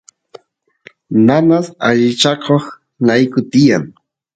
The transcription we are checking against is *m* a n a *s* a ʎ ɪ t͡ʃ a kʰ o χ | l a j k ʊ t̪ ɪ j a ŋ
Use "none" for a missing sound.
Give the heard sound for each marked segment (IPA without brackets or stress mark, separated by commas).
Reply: n, s